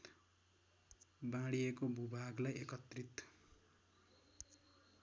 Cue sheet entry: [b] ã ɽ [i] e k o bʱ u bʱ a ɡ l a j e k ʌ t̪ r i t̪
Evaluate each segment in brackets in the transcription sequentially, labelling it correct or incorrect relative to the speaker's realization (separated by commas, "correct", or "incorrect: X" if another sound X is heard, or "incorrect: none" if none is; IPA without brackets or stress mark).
correct, correct